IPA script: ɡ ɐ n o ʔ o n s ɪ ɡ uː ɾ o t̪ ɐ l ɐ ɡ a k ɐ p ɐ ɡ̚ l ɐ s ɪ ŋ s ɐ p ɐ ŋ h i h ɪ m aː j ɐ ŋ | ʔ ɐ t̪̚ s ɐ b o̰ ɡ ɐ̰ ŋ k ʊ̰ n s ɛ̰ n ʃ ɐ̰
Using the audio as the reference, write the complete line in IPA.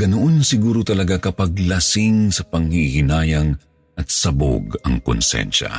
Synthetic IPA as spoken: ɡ ɐ n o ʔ o n s ɪ ɡ uː ɾ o t̪ ɐ l ɐ ɡ a k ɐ p ɐ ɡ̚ l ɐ s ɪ ŋ s ɐ p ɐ ŋ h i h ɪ n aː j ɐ ŋ | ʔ ɐ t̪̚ s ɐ b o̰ ɡ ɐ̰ ŋ k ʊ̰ n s ɛ̰ n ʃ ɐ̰